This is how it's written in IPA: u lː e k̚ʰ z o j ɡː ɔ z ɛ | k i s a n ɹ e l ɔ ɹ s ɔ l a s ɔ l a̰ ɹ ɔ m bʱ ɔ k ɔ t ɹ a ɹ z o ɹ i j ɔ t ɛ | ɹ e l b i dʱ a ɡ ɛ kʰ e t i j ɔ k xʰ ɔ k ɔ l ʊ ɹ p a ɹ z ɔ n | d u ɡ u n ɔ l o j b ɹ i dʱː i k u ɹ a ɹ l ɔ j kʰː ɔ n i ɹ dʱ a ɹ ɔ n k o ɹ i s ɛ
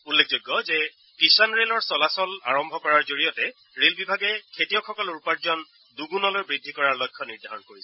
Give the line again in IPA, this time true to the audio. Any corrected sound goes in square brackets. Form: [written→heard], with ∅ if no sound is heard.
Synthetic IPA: u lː e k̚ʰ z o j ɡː ɔ z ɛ | k i s a n ɹ e l ɔ ɹ s ɔ l a s ɔ l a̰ ɹ ɔ m bʱ ɔ k ɔ [t→∅] ɹ a ɹ z o ɹ i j ɔ t ɛ | ɹ e l b i [dʱ→bʱ] a ɡ ɛ kʰ e t i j ɔ k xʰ ɔ k ɔ l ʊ ɹ p a ɹ z ɔ n | d u ɡ u n ɔ l o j b ɹ i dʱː i k [u→ɔ] ɹ a ɹ l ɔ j kʰː ɔ n i ɹ dʱ a ɹ ɔ n k o ɹ i s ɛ